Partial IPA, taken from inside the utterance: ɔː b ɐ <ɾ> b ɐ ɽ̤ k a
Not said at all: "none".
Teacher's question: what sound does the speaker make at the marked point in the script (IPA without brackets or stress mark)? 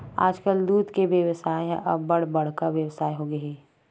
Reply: ɽ